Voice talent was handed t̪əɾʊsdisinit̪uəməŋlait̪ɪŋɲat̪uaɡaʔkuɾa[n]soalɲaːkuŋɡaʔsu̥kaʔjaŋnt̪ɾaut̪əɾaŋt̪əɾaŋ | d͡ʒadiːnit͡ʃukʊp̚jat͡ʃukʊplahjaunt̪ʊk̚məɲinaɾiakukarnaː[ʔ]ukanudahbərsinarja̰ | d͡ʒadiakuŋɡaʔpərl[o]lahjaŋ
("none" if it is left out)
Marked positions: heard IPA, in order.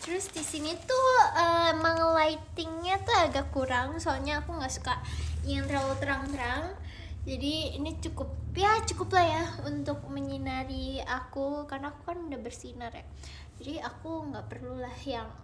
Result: ŋ, k, u

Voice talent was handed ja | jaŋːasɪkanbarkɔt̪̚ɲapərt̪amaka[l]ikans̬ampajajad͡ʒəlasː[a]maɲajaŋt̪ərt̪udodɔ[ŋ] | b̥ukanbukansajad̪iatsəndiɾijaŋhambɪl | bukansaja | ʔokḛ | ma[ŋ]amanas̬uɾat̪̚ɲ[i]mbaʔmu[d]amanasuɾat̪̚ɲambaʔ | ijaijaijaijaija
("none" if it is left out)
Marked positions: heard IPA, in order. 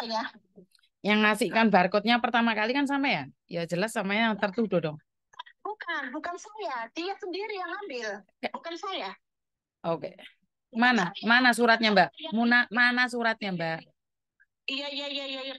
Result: l, a, ŋ, n, a, n

